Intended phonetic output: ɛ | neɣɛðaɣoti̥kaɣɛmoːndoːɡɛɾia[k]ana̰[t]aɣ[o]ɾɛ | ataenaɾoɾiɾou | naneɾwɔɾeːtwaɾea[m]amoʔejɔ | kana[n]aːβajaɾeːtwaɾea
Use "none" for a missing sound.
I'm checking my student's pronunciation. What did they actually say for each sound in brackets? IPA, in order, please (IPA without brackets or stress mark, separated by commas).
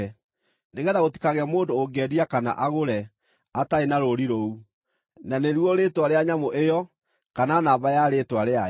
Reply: k, ʔ, o, ɲ, n